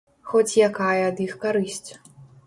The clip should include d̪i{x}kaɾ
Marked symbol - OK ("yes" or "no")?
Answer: yes